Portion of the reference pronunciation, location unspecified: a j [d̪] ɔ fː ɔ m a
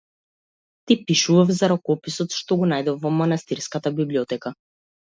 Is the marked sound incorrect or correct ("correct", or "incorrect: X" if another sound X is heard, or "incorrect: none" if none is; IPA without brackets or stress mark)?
correct